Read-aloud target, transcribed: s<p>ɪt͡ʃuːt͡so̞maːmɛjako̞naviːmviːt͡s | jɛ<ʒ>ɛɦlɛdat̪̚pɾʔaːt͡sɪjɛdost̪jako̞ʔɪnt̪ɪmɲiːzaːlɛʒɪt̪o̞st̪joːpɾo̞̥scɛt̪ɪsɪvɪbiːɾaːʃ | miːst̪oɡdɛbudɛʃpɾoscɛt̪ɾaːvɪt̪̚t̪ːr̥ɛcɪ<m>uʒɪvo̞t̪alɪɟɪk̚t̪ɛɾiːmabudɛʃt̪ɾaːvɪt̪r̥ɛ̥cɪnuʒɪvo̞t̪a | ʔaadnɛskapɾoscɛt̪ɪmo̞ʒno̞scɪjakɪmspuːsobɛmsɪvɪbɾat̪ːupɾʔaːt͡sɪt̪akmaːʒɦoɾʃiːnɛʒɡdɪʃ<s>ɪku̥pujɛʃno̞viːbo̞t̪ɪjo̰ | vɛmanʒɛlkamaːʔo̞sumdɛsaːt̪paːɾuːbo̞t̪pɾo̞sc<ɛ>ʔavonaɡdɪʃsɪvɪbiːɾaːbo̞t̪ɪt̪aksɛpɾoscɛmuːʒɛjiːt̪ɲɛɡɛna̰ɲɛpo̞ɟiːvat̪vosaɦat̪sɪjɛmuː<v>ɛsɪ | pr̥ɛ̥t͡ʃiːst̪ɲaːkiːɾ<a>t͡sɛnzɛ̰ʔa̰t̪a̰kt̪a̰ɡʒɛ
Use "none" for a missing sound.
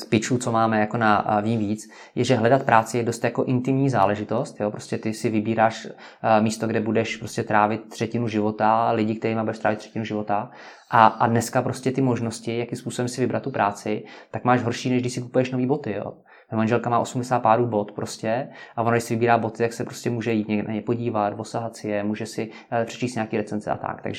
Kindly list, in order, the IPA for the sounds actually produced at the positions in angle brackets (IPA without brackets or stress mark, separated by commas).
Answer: p, ʒ, n, s, ɛ, ʒ, ɛ